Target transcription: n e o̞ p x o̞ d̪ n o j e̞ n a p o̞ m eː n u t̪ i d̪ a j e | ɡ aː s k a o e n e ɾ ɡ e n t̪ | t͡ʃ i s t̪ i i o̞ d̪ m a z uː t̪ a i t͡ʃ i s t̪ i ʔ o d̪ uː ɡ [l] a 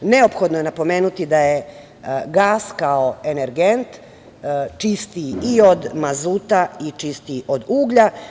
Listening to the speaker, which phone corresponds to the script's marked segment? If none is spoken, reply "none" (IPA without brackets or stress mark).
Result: ʎ